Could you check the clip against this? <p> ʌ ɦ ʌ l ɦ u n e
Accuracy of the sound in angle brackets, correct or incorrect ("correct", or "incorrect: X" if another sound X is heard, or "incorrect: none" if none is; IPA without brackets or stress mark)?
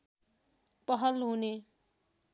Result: correct